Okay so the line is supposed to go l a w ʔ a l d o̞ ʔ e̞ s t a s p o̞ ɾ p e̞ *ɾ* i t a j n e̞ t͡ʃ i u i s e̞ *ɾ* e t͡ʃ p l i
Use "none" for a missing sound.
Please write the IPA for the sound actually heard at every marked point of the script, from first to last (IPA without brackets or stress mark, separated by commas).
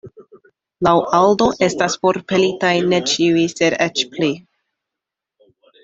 l, ɾ